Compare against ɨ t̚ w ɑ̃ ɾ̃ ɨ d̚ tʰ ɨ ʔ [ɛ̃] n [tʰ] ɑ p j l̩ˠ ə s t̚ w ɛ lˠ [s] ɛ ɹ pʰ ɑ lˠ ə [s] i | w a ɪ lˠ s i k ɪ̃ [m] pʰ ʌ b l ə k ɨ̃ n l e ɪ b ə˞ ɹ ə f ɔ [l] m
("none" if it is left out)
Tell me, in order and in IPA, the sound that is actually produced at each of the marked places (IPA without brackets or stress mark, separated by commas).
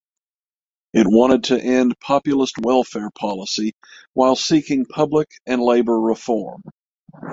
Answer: ɛ̃, pʰ, f, s, ŋ, ɹ